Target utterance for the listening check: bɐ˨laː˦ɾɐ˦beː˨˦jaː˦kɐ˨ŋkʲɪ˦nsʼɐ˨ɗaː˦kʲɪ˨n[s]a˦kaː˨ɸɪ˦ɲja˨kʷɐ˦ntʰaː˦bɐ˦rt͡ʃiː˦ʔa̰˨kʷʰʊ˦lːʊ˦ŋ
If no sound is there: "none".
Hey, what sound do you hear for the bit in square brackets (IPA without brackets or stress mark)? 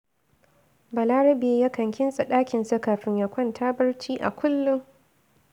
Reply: s